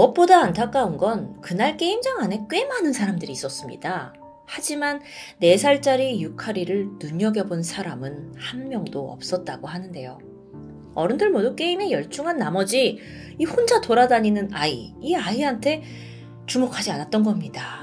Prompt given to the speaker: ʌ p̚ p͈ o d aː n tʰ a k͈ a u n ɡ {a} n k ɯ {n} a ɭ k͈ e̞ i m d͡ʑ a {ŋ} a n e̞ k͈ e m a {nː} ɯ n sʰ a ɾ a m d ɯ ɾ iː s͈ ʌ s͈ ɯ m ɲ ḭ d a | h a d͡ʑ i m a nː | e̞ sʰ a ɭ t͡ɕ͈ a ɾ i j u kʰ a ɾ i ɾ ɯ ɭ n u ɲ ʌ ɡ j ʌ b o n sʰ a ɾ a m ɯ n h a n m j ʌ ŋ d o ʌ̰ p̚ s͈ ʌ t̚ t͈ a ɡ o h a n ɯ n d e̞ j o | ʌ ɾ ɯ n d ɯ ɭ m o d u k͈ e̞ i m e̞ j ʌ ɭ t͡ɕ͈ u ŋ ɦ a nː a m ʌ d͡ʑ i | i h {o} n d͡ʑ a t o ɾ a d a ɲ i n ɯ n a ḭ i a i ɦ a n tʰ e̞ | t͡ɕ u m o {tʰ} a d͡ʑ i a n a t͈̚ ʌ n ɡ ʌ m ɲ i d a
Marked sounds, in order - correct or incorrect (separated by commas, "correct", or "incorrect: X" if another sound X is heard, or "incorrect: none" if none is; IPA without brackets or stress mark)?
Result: incorrect: ʌ, correct, correct, incorrect: n, correct, incorrect: kʰ